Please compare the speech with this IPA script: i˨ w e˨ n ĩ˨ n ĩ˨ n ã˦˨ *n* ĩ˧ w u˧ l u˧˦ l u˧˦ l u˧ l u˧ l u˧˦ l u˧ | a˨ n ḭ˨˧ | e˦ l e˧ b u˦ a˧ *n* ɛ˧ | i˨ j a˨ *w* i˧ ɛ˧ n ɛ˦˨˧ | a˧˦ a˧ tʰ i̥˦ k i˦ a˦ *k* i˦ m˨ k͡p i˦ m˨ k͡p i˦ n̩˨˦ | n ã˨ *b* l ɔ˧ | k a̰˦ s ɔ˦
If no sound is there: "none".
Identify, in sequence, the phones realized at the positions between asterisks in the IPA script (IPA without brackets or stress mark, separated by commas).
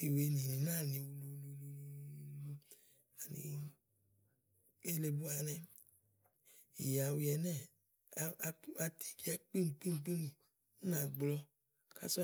n, n, w, k͡p, ɡ͡b